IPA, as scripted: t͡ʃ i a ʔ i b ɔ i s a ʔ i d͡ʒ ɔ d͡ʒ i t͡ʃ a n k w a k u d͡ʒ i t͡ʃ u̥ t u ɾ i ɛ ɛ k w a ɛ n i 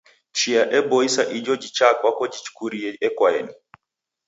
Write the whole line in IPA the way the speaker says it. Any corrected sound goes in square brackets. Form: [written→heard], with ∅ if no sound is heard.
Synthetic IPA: t͡ʃ i a ʔ [i→ɛ] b ɔ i s a ʔ i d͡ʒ ɔ d͡ʒ i t͡ʃ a [n→∅] k w a k [u→ɔ] d͡ʒ i t͡ʃ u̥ [t→k] u ɾ i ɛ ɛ k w a ɛ n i